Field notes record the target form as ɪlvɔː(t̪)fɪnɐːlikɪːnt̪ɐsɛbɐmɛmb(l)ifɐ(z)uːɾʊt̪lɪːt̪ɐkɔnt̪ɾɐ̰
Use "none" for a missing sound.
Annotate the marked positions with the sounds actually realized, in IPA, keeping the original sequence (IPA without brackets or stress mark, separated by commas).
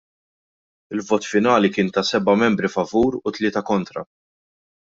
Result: t̪, ɾ, v